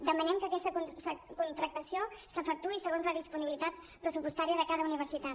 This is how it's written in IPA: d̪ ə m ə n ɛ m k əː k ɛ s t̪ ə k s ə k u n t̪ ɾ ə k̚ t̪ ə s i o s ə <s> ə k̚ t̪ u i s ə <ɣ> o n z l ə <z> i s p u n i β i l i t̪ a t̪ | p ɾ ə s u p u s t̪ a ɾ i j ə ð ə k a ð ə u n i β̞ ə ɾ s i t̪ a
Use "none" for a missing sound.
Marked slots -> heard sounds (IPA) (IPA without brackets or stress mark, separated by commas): f, ɣ, ð